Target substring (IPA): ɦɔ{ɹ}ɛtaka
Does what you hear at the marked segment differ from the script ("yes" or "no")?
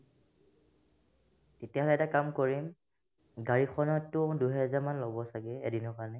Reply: yes